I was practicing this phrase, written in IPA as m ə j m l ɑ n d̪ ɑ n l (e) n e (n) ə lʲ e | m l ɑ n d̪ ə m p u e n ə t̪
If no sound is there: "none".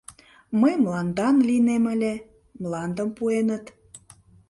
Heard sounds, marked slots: i, m

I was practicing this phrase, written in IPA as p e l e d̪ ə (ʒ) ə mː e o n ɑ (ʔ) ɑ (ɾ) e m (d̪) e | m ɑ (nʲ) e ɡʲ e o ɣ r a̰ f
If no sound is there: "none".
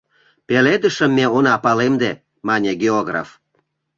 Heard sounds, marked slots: ʃ, p, l, d̪, nʲ

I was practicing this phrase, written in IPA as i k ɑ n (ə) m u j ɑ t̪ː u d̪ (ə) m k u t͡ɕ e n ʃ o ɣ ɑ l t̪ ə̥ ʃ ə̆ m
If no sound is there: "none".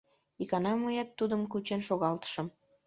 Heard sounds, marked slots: ɑ, ə

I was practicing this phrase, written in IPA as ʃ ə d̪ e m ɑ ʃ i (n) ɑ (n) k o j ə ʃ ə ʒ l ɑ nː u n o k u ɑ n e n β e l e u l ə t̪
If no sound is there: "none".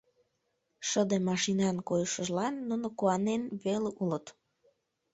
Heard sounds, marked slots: n, n

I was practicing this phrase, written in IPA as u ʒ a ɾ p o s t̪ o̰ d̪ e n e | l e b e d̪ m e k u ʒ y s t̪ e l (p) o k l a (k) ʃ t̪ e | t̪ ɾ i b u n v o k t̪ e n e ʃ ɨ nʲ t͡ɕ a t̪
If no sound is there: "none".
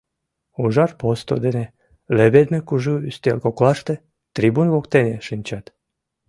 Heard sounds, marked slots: k, none

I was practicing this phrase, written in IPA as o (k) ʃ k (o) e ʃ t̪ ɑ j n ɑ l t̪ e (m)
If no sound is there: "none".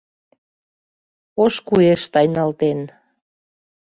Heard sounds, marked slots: none, u, n

